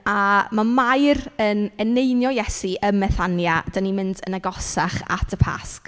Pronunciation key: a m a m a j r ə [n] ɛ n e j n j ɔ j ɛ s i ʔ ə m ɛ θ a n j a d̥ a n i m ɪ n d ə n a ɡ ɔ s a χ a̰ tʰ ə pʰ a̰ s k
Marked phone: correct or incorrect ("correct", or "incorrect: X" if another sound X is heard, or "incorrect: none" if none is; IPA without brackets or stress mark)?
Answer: correct